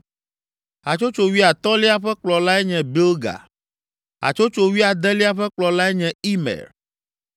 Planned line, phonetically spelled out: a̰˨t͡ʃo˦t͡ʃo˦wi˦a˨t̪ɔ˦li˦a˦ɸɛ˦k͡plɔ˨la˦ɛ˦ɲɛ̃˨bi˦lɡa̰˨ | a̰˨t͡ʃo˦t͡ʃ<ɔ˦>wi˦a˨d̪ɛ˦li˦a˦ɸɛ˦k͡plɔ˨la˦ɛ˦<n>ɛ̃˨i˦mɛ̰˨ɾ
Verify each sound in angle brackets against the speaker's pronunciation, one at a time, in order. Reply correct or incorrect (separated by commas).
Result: incorrect, incorrect